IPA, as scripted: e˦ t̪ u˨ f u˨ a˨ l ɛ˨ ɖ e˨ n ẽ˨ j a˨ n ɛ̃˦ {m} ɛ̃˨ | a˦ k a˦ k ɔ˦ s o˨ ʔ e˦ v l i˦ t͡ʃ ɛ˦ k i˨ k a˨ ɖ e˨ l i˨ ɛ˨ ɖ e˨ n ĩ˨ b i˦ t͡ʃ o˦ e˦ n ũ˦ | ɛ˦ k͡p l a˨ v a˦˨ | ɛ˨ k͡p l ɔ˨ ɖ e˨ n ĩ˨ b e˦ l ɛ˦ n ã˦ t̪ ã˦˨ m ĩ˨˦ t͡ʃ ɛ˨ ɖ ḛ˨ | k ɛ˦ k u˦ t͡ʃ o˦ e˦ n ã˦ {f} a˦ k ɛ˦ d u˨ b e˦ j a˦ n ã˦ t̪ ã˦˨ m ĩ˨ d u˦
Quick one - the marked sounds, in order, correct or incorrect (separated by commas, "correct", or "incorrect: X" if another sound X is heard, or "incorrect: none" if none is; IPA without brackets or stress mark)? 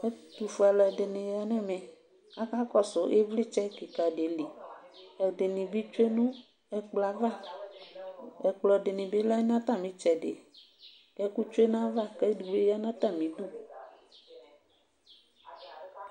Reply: correct, incorrect: v